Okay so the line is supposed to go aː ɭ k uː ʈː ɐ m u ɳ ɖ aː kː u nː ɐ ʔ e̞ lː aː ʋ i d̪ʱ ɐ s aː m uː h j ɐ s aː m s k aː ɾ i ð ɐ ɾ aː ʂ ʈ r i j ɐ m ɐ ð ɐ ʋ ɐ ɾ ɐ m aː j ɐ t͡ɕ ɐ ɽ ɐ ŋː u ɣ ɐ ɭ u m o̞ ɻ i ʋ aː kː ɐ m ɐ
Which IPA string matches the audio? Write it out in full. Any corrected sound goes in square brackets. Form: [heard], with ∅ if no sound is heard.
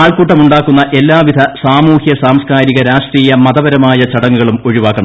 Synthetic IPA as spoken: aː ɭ k uː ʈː ɐ m u ɳ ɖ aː kː u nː ɐ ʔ e̞ lː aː ʋ i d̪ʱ ɐ s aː m uː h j ɐ s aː m s k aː ɾ i [ɣ] ɐ ɾ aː ʂ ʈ r [iː] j ɐ m ɐ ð ɐ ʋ ɐ ɾ ɐ m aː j ɐ t͡ɕ ɐ ɽ ɐ ŋː u ɣ ɐ ɭ u m o̞ ɻ i ʋ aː kː ɐ [ɳ] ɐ

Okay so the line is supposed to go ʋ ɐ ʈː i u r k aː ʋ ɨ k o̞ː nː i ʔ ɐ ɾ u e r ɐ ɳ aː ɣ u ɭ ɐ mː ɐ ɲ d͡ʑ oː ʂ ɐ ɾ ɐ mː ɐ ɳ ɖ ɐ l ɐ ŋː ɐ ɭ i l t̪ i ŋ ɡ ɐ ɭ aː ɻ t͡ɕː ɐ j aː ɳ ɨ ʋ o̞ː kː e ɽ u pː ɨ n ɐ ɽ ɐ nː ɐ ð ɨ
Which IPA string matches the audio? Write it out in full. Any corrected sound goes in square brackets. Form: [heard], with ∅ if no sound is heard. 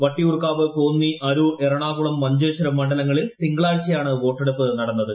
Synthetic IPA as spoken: ʋ ɐ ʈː i u r k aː ʋ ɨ k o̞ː nː i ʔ ɐ ɾ u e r ɐ ɳ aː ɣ u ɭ ɐ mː ɐ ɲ d͡ʑ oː [ɕ] ɐ ɾ ɐ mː ɐ ɳ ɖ ɐ l ɐ ŋː ɐ ɭ i l t̪ i ŋ ɡ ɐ ɭ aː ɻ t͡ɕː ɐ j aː ɳ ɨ ʋ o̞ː [ʈː] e ɽ u pː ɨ n ɐ ɽ ɐ nː ɐ ð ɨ

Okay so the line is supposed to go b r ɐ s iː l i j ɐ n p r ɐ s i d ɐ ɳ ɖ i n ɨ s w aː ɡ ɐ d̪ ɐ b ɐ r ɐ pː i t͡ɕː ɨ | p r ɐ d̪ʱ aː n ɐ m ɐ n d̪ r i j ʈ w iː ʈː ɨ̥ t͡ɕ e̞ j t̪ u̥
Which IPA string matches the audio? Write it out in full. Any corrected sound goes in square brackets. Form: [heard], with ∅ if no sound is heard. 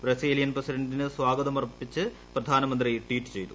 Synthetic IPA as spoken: b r ɐ s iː l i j ɐ n p r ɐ s i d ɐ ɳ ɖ i n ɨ s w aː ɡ ɐ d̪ ɐ [m] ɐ r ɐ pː i t͡ɕː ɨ | p r ɐ d̪ʱ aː n ɐ m ɐ n d̪ r i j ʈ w iː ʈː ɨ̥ t͡ɕ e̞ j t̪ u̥

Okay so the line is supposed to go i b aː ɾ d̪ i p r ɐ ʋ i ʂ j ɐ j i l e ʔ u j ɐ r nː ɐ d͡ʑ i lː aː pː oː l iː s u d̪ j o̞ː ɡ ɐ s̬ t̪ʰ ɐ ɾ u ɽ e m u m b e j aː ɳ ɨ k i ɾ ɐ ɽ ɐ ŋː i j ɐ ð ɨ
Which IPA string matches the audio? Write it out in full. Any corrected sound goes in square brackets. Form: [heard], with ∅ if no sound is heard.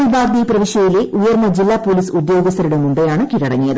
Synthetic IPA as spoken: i b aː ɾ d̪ i p r ɐ ʋ i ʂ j ɐ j i l e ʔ u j ɐ r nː ɐ d͡ʑ i lː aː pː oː l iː s u d̪ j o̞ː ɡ ɐ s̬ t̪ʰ ɐ ɾ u ɽ e m u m b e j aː ɳ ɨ k i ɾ ɐ ɽ ɐ ŋː i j ɐ ð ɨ

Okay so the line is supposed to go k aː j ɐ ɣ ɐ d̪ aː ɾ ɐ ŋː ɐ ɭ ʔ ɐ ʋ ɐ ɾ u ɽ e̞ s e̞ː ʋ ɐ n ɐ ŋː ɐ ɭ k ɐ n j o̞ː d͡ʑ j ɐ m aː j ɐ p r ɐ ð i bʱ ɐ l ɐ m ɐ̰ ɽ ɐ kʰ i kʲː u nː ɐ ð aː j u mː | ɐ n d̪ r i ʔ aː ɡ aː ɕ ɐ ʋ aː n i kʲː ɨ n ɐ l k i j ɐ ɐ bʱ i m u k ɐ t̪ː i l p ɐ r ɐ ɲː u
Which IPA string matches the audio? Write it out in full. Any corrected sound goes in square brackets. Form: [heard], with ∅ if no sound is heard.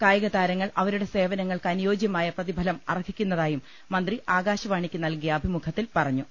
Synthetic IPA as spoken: k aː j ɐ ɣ ɐ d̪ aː ɾ ɐ ŋː ɐ ɭ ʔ ɐ ʋ ɐ ɾ u ɽ e̞ s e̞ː ʋ ɐ n ɐ ŋː ɐ ɭ k ɐ n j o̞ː d͡ʑ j ɐ m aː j ɐ p r ɐ ð i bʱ ɐ l ɐ m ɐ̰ [r] ɐ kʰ i kʲː u nː ɐ ð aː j u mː | ɐ n d̪ r i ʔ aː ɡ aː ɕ ɐ ʋ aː [ɳ] i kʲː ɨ n ɐ l k i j ɐ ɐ bʱ i m u [kʰ] ɐ t̪ː i l p ɐ r ɐ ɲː u

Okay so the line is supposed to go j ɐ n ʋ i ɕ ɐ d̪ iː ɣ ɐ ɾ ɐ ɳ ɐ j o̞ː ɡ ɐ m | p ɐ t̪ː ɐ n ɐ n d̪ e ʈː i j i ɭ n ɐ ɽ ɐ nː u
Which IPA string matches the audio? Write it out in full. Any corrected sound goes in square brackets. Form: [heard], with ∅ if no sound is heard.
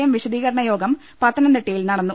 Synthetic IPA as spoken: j ɐ [m] ʋ i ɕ ɐ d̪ iː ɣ ɐ ɾ ɐ ɳ ɐ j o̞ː ɡ ɐ m | p ɐ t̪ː ɐ n ɐ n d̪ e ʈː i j i [l] n ɐ ɽ ɐ nː u

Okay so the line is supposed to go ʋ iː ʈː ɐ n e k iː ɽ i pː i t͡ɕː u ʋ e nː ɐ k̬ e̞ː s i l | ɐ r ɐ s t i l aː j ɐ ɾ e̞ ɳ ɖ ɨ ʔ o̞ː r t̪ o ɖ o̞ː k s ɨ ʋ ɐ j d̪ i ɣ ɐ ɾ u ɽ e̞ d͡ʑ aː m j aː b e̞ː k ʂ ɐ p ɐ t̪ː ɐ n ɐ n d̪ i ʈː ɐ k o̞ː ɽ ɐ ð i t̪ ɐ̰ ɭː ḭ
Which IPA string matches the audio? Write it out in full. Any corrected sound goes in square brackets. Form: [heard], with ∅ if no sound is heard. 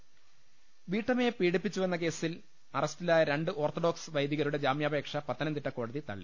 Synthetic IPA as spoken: ʋ iː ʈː ɐ [m] e [p] iː ɽ i pː i t͡ɕː u ʋ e nː ɐ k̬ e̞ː s i l | ɐ r ɐ s t i l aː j ɐ ɾ e̞ ɳ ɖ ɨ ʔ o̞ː r t̪ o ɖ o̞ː k s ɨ ʋ ɐ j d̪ i ɣ ɐ ɾ u ɽ e̞ d͡ʑ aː m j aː b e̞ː k ʂ ɐ p ɐ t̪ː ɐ n ɐ n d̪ i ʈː ɐ k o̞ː ɽ ɐ ð i t̪ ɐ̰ ɭː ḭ

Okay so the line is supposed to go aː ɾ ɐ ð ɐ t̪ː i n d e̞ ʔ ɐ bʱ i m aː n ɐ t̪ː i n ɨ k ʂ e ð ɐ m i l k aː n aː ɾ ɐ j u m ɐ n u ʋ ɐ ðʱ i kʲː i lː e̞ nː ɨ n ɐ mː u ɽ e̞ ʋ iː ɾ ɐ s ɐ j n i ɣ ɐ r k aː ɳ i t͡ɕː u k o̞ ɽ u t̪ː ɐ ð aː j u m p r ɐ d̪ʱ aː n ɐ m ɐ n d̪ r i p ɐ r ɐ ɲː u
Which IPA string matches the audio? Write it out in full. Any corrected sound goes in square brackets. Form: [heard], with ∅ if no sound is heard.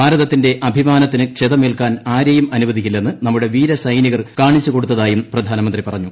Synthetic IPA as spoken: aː ɾ ɐ ð ɐ t̪ː i n d e̞ ʔ ɐ bʱ i m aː n ɐ t̪ː i n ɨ k ʂ e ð ɐ m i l k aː n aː ɾ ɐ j u m ɐ n u ʋ ɐ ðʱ i kʲː i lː e̞ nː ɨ n ɐ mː u ɽ e̞ ʋ iː ɾ ɐ s ɐ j n i ɣ ɐ r k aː ɳ i t͡ɕː u k o̞ ɽ u t̪ː ɐ ð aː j u m p r ɐ d̪ʱ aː n ɐ m ɐ n d̪ r i p ɐ r ɐ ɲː u

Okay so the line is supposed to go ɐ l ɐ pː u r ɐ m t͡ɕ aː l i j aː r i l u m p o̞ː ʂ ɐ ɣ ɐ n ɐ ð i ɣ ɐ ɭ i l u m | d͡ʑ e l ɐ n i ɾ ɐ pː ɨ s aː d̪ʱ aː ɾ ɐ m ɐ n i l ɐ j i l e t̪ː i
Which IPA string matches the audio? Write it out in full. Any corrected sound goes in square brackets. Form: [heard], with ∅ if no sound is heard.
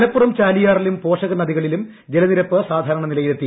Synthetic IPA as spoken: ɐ l ɐ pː u r ɐ m t͡ɕ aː l i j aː r i l u m p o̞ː ʂ ɐ ɣ ɐ n ɐ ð i ɣ ɐ ɭ i l u m | d͡ʑ e l ɐ n i ɾ ɐ pː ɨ s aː d̪ʱ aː ɾ ɐ [ɳ] ɐ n i l ɐ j i l e t̪ː i

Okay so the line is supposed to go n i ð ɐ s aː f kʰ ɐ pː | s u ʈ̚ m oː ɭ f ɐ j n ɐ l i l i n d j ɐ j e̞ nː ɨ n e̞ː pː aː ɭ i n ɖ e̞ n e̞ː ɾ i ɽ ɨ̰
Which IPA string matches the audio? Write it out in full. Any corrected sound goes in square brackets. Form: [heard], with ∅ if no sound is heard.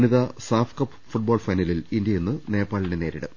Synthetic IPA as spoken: n i ð ɐ s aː f [k] ɐ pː | [f] u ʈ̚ [b] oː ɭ f ɐ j n ɐ l i l i n d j ɐ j e̞ nː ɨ n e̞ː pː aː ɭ i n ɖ e̞ n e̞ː ɾ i ɽ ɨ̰

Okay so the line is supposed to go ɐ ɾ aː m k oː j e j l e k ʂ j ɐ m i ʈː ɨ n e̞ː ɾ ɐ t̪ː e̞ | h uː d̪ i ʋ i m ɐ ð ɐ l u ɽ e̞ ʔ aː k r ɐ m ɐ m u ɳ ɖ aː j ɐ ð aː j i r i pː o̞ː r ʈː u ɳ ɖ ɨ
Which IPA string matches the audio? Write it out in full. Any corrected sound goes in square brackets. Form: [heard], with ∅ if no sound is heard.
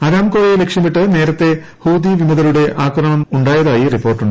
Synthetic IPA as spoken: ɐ ɾ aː m k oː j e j l e k ʂ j ɐ m i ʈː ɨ n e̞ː ɾ ɐ t̪ː e̞ | h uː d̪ i ʋ i m ɐ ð ɐ l u ɽ e̞ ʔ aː k r ɐ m ɐ m u ɳ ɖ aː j ɐ ð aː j i r i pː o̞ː r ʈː u ɳ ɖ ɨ

